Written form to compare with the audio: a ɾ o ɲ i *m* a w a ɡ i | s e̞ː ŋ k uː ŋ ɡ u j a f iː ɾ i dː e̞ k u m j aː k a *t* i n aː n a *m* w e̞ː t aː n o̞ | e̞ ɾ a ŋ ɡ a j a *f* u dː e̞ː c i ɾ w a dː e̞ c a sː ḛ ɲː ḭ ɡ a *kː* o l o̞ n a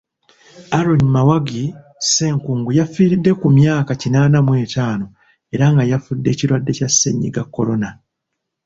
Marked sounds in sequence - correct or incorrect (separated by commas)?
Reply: correct, incorrect, correct, correct, correct